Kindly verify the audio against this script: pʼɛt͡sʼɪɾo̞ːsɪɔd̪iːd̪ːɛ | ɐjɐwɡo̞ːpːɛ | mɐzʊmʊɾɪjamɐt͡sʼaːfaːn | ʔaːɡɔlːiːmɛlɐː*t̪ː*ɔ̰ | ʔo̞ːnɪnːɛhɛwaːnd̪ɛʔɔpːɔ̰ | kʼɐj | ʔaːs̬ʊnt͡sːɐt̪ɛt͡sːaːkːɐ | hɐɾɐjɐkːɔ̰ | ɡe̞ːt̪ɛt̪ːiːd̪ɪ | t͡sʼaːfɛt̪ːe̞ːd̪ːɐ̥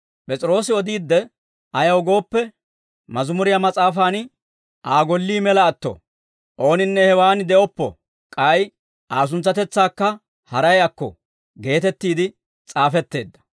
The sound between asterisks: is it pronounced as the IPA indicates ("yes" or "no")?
yes